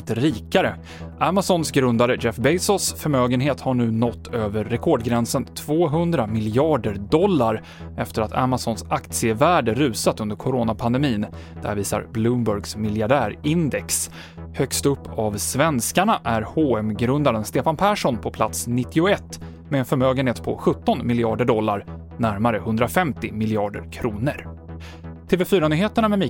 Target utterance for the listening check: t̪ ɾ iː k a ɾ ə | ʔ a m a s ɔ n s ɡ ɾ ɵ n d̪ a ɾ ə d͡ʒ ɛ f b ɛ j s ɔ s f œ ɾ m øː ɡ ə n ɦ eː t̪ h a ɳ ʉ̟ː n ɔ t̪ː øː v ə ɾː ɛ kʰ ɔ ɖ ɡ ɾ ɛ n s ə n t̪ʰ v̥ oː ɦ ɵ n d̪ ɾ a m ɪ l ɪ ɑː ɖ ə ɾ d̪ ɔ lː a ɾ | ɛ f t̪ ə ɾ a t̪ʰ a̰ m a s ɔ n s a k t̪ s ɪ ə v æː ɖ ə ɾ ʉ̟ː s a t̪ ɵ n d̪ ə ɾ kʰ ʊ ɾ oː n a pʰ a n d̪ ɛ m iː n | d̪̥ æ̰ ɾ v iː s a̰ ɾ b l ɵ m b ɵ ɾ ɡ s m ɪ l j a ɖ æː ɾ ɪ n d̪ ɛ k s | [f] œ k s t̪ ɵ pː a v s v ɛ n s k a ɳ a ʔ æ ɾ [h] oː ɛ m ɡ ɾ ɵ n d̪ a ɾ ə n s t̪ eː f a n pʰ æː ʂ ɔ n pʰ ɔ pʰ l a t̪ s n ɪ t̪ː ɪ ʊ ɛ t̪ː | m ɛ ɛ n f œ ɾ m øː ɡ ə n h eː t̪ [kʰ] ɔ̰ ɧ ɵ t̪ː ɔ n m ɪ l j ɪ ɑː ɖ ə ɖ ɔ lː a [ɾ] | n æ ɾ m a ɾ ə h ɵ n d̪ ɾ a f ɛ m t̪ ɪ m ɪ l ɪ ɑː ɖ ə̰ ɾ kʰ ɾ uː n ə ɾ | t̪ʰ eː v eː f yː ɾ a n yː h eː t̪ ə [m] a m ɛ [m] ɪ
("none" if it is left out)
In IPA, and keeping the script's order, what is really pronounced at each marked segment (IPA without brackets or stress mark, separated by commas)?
h, h, pʰ, ɾ, ɳ, m